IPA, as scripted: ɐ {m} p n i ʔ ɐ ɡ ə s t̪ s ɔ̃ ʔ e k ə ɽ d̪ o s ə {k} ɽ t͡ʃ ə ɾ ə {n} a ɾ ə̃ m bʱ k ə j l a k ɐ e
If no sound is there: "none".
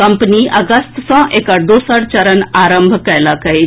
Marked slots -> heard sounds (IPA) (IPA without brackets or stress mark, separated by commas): m, none, n